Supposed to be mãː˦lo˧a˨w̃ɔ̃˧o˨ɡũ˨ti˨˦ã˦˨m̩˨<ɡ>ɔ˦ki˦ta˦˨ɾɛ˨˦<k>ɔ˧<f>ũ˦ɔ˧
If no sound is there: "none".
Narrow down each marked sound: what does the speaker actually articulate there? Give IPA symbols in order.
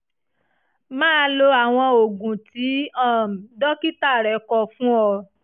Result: d, k, f

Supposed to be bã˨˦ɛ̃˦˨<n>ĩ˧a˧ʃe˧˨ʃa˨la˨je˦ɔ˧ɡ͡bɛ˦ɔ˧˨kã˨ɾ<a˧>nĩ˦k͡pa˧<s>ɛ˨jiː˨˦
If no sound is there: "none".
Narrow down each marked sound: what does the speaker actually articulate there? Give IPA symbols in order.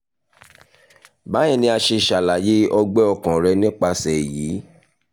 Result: n, ɛ˧, s

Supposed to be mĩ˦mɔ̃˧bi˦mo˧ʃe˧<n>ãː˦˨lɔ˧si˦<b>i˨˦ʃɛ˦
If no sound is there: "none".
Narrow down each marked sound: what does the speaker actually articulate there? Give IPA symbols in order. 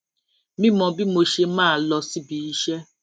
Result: m, b

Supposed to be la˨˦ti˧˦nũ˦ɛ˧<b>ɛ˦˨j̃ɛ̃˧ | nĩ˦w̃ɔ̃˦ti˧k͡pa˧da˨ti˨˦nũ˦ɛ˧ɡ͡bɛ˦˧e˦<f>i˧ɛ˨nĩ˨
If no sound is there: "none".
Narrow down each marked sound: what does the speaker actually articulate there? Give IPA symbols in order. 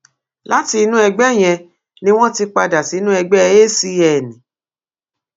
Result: ɡ͡b, s

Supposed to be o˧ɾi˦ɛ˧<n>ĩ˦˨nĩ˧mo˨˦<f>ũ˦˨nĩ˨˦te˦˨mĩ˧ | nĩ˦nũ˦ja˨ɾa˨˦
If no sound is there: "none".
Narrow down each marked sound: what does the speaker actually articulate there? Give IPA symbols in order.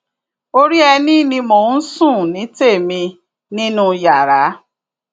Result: n, s

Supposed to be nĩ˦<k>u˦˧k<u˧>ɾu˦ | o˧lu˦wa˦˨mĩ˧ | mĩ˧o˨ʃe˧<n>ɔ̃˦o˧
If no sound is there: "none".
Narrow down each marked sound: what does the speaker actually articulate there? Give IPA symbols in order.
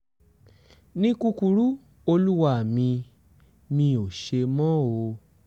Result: k, u˧, m

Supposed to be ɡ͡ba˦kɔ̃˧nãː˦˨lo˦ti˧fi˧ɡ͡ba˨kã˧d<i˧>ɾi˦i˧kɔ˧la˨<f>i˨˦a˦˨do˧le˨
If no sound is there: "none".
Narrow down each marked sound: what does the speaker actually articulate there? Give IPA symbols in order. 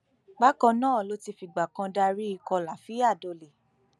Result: a˧, f

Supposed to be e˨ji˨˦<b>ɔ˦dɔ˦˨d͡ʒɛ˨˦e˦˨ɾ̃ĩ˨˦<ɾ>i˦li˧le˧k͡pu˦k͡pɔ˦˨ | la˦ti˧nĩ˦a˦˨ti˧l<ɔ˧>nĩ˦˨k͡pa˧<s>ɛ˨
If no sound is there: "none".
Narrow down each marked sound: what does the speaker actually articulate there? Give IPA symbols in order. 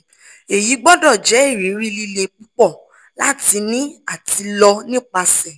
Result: ɡ͡b, ɾ, ɔ˧, s

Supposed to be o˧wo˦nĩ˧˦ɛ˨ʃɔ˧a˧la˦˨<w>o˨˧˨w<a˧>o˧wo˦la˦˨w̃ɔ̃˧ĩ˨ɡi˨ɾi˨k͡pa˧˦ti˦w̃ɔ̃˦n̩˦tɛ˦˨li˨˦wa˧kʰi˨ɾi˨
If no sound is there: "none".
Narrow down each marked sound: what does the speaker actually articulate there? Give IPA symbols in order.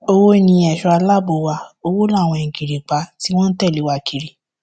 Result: b, a˧

